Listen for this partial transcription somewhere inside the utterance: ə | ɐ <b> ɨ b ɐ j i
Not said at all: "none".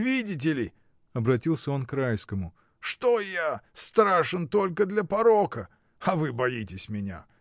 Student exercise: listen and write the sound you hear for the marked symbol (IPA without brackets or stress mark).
v